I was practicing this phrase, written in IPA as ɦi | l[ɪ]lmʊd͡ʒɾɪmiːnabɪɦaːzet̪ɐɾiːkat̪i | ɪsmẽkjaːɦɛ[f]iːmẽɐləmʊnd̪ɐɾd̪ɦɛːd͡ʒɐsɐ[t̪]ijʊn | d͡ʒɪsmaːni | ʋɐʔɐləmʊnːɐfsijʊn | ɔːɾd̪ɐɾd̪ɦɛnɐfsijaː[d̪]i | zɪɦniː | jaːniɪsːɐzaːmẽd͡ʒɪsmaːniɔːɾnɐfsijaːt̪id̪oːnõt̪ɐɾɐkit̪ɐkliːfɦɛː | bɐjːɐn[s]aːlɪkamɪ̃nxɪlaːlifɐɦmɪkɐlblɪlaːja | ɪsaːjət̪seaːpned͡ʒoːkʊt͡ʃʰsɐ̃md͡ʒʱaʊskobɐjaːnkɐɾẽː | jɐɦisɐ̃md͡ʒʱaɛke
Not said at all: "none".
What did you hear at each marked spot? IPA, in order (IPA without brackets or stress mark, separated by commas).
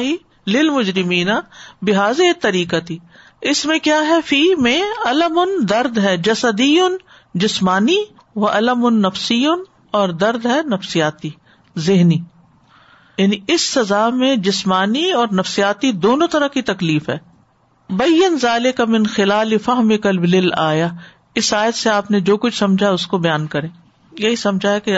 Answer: ɪ, f, d̪, t̪, z